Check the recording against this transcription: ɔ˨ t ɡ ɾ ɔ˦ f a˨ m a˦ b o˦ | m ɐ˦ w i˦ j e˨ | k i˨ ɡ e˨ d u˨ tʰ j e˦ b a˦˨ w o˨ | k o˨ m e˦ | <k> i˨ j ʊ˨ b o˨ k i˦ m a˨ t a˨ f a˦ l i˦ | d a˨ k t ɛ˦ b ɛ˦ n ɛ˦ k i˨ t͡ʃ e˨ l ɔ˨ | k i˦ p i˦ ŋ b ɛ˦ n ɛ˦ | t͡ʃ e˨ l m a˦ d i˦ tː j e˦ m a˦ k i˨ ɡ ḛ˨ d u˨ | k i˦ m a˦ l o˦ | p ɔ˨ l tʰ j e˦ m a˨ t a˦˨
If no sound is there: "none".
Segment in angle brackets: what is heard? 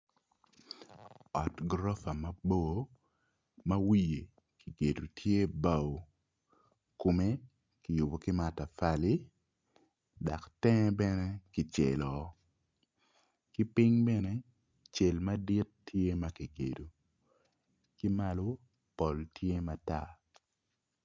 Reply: k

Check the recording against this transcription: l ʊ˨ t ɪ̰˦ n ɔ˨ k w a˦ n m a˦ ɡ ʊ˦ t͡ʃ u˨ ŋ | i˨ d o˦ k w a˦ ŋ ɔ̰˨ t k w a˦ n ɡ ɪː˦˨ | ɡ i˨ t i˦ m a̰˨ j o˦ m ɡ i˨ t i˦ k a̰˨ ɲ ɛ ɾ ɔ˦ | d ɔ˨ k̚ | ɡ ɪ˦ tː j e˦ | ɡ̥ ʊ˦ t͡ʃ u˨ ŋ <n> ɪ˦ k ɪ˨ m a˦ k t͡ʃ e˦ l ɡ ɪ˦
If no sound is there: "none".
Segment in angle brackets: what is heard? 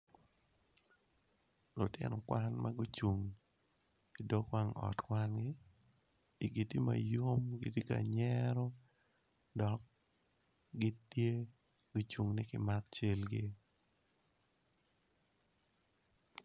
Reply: n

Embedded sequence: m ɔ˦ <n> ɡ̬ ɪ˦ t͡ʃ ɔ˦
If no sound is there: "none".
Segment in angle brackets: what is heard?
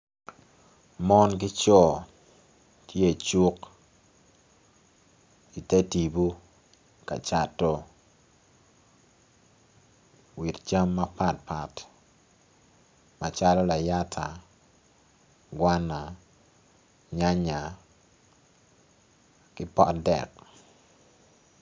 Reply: n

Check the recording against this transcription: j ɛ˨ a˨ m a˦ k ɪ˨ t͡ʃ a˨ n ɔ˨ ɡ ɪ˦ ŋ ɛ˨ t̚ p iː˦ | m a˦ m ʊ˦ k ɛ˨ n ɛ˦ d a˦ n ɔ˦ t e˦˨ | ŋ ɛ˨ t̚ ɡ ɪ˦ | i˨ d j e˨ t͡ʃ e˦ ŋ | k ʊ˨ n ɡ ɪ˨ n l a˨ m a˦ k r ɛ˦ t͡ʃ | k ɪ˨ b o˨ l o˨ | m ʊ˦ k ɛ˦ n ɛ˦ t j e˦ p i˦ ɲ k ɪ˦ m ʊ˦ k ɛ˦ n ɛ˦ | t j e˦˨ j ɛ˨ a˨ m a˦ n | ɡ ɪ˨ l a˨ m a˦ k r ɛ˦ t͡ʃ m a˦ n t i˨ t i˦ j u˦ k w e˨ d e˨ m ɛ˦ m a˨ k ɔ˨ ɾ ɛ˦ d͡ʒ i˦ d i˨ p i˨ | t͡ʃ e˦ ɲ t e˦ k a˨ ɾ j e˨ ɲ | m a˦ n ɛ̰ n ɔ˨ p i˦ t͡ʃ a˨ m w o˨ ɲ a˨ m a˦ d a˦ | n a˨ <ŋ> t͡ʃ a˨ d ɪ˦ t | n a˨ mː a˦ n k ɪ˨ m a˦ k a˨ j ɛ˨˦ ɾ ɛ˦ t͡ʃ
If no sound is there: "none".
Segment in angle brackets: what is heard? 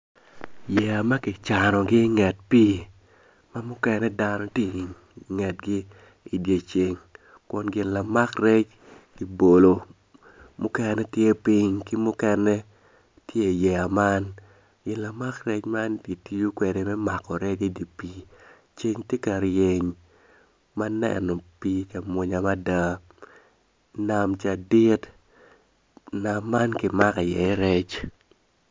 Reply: m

